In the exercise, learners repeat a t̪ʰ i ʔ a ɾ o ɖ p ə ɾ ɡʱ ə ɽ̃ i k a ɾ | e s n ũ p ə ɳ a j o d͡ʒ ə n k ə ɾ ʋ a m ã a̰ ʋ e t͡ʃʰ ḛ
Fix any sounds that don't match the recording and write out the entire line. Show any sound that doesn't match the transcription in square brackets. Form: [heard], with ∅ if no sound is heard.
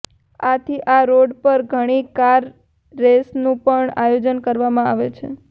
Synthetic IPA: a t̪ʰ i ʔ a ɾ o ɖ p ə ɾ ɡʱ ə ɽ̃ i k a [ɾː] | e s n ũ p ə ɳ a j o d͡ʒ ə n k ə ɾ ʋ a m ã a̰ ʋ e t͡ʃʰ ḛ

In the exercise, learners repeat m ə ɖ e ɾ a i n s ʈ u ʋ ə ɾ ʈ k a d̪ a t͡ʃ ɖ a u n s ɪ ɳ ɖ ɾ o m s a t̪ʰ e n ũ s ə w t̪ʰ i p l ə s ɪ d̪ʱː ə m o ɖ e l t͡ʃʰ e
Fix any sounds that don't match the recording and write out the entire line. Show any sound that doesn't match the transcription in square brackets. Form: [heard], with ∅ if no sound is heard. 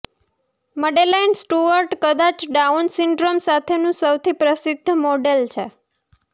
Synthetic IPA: m ə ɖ e [l] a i n s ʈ u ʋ ə ɾ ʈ k [ə] d̪ a t͡ʃ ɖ a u n s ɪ ɳ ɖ ɾ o m s a t̪ʰ e n ũ s ə w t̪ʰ i p [ɾ] ə s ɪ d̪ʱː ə m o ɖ e l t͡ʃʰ e

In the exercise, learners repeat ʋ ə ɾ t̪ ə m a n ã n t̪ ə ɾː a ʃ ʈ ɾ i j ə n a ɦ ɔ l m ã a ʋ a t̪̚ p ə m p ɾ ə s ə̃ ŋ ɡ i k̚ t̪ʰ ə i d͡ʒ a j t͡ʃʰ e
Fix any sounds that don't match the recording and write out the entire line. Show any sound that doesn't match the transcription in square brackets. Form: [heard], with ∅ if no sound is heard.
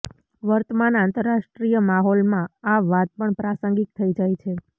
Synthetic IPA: ʋ ə ɾ t̪ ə m a n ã n t̪ ə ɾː a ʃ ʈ ɾ i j ə [m] a ɦ ɔ l m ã a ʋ a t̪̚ p ə [ɳ] p ɾ [a] s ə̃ ŋ ɡ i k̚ t̪ʰ ə i d͡ʒ a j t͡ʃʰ e

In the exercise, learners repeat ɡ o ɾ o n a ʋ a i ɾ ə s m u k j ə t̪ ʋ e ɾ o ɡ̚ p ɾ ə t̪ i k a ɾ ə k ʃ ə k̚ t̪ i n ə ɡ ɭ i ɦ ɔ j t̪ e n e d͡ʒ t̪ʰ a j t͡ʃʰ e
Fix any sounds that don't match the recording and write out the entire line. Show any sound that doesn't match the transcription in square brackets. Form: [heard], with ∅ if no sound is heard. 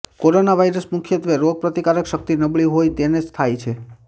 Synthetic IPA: [k] o ɾ o n a ʋ a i ɾ ə s m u [kʰ] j ə t̪ ʋ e ɾ o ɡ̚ p ɾ ə t̪ i k a ɾ ə k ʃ ə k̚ t̪ i n ə [b] ɭ i ɦ [o] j t̪ e n e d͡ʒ t̪ʰ a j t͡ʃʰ e

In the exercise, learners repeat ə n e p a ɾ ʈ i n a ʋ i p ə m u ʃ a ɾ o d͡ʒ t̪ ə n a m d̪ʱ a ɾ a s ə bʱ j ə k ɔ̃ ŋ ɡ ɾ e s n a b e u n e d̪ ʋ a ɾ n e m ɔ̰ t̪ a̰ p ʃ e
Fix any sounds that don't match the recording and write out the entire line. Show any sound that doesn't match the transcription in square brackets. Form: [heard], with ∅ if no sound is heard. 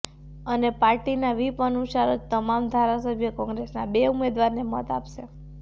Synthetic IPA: ə n e p a ɾ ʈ i n a ʋ i p ə [n] u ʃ a ɾ o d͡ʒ t̪ ə [m] a m d̪ʱ a ɾ a s ə bʱ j ə k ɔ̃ ŋ ɡ ɾ e s n a b e u [m] e d̪ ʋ a ɾ n e m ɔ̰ t̪ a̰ p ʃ e

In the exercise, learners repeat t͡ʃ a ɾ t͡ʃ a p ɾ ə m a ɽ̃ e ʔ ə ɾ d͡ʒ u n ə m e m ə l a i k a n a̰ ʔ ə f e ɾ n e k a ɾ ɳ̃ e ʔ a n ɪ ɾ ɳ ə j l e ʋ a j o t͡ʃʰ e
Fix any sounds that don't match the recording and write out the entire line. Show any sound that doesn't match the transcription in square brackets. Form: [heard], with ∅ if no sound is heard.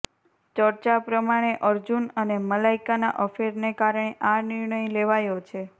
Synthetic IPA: t͡ʃ [ə] ɾ t͡ʃ a p ɾ ə m a ɽ̃ e ʔ ə ɾ d͡ʒ u n ə [n] e m ə l a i k a n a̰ ʔ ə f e ɾ n e k a ɾ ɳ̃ e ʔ a n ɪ ɾ ɳ ə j l e ʋ a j o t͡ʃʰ e

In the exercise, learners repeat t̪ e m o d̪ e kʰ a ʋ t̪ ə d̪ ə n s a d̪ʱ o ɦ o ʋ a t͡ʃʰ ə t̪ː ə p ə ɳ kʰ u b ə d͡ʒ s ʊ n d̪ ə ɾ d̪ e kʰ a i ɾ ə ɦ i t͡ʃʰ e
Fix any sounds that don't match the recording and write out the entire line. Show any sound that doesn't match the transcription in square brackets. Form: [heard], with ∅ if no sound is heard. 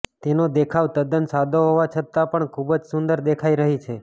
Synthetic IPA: t̪ e [n] o d̪ e kʰ a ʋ t̪ ə d̪ ə n s a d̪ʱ o ɦ o ʋ a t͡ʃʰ ə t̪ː [a] p ə ɳ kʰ u b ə d͡ʒ s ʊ n d̪ ə ɾ d̪ e kʰ a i ɾ ə ɦ i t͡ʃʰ e

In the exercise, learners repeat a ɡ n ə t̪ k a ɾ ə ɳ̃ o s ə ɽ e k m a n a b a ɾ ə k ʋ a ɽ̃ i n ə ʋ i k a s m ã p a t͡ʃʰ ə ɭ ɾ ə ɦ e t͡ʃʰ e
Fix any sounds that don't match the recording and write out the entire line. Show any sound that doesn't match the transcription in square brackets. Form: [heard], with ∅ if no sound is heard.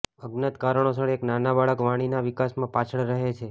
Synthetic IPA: [ə] ɡ n ə t̪ k a ɾ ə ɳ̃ o s ə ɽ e k [n] a n a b a [ɭ] ə k ʋ a ɽ̃ i n [a] ʋ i k a s m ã p a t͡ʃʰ ə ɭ ɾ ə ɦ e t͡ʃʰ e

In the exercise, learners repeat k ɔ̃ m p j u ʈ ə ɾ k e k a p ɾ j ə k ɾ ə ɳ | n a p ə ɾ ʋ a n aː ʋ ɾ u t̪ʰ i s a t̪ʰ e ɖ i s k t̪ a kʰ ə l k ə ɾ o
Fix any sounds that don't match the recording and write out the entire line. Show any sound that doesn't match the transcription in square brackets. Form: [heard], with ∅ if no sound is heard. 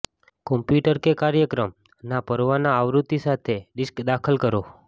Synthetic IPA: k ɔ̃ m p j u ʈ ə ɾ k e k a [∅] ɾ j ə k ɾ ə [m] | n a p ə ɾ ʋ a n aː ʋ ɾ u [t̪] i s a t̪ʰ e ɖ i s k [d̪] a kʰ ə l k ə ɾ o

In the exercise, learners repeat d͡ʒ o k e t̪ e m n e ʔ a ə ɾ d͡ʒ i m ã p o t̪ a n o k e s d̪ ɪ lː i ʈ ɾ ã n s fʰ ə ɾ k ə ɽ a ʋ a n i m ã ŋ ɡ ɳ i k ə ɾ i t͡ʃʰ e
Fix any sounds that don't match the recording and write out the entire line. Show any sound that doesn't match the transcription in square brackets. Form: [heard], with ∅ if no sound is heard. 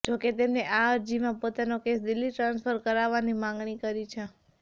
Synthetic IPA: d͡ʒ o k e t̪ e m n e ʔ a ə ɾ d͡ʒ i m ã p o t̪ a n o k e s d̪ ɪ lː i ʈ ɾ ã n s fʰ ə ɾ k ə [ɾ] a ʋ a n i m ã ŋ ɡ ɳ i k ə ɾ i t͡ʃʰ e

